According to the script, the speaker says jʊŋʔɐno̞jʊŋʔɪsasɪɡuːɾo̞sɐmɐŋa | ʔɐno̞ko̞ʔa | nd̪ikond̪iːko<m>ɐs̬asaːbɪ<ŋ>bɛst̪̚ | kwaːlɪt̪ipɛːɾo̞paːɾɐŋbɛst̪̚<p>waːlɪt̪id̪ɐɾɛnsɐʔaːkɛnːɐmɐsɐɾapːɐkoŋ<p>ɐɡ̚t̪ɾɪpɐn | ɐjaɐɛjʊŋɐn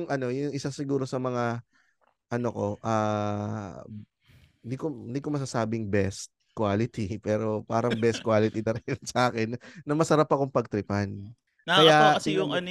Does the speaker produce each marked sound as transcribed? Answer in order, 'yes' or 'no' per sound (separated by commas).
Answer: yes, yes, no, yes